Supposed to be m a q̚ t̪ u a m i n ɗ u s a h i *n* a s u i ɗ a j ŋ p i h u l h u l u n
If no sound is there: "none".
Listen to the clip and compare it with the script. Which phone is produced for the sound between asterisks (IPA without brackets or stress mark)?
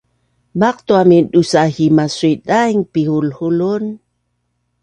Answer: m